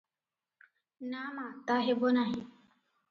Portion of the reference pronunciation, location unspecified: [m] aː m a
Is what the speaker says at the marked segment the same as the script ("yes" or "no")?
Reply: no